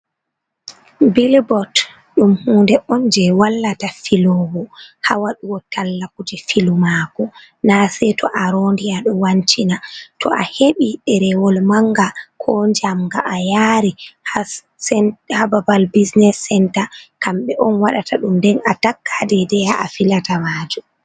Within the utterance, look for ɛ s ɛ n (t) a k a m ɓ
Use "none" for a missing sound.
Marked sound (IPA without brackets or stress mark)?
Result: t